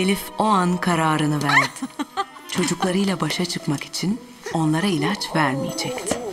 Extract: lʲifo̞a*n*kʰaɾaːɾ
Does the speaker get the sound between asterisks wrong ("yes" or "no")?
no